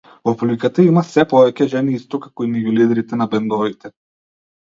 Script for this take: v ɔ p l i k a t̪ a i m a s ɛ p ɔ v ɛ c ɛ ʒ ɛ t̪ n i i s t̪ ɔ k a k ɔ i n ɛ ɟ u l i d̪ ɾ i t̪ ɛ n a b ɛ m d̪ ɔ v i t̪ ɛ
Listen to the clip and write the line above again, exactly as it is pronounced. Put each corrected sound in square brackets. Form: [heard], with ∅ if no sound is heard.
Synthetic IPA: v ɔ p l i k a t̪ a i m a s ɛ p ɔ v ɛ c ɛ ʒ ɛ [∅] n i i s t̪ ɔ k a k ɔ i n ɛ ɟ u l i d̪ ɾ i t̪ ɛ n a b ɛ [n] d̪ ɔ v i t̪ ɛ